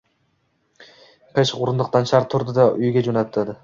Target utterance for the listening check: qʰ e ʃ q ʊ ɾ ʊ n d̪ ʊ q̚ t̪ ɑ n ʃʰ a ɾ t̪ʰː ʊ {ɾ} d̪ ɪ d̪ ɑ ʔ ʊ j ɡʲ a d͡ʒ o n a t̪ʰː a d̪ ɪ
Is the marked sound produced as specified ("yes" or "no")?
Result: yes